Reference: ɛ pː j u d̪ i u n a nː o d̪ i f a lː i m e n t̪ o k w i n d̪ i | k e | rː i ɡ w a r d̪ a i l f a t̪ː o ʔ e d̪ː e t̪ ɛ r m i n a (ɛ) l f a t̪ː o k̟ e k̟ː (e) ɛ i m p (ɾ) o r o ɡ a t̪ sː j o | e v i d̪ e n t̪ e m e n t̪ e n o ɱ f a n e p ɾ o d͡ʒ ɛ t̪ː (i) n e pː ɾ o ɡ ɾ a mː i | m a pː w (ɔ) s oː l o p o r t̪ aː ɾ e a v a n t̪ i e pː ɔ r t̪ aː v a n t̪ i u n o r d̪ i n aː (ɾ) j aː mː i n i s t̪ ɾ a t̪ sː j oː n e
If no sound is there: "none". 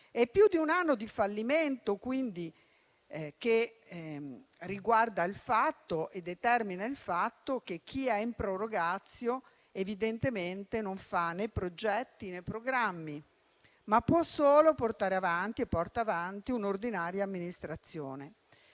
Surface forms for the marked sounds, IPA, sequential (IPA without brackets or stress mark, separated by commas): i, i, ɾ, i, ɔ, ɾ